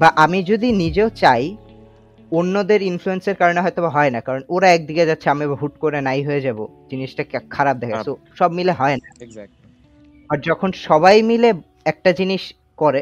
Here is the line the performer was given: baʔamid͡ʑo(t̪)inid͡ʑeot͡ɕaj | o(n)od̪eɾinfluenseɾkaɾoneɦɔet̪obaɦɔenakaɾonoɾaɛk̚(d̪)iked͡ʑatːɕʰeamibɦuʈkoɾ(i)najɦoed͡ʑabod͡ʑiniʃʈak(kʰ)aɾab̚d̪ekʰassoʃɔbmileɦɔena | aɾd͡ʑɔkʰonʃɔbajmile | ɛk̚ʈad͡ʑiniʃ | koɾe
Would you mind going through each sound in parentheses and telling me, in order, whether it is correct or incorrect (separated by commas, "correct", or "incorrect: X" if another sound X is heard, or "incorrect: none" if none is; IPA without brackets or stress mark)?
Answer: incorrect: d̪, incorrect: nː, correct, incorrect: e, correct